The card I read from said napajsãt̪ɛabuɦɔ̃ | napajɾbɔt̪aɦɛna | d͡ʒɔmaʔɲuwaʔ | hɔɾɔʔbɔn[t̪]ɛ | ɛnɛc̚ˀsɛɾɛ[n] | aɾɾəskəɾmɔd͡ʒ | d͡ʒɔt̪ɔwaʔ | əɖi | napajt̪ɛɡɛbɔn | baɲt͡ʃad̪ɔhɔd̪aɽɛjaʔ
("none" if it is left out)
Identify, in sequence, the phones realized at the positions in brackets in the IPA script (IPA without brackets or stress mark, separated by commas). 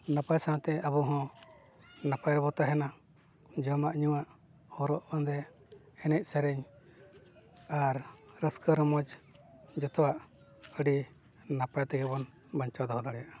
d̪, ɲ